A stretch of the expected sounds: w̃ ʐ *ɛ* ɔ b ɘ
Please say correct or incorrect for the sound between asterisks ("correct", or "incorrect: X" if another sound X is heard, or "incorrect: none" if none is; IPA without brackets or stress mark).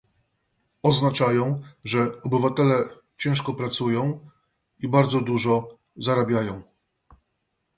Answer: correct